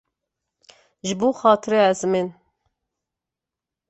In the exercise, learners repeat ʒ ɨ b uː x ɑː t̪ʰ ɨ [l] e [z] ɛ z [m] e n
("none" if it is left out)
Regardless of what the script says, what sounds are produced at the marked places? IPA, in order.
ɾ, none, m

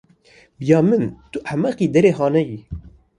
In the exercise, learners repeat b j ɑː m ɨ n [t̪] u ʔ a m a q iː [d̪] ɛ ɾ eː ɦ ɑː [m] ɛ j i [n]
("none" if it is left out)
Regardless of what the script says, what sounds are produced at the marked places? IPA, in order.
t̪, d̪, n, none

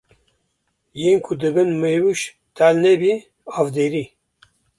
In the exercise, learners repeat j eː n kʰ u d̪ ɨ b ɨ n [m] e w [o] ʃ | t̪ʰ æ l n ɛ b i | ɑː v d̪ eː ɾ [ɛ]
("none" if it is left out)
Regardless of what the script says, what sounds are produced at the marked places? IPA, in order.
m, u, i

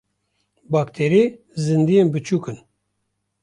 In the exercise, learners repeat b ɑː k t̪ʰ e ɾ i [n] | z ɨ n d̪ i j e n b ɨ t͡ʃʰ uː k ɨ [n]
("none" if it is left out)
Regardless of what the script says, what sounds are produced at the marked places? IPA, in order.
none, n

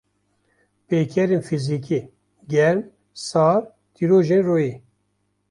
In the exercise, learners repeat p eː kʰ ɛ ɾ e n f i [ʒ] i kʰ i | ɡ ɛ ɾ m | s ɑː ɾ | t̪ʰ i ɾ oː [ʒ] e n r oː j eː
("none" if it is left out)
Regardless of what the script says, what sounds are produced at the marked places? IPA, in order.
z, ʒ

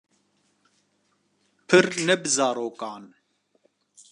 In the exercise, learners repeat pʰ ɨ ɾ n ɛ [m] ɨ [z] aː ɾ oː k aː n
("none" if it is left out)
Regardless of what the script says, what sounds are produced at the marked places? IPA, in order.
b, z

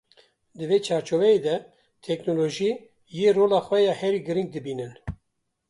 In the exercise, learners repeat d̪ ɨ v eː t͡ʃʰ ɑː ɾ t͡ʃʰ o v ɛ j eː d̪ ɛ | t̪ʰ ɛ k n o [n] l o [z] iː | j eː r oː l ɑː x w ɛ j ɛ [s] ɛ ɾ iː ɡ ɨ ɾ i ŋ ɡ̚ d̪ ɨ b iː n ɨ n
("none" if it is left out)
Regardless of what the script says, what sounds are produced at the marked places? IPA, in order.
none, ʒ, h

